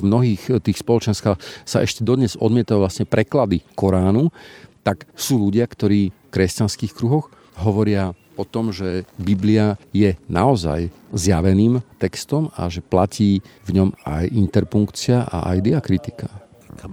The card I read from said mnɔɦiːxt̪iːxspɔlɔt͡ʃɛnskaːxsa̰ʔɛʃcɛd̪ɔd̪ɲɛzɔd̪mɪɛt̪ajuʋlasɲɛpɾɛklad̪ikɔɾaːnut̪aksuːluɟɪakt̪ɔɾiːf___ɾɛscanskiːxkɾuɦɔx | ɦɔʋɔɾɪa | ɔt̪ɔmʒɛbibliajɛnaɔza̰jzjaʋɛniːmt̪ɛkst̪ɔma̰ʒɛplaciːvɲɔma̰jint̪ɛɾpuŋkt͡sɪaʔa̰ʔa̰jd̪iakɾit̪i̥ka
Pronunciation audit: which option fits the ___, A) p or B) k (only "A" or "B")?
B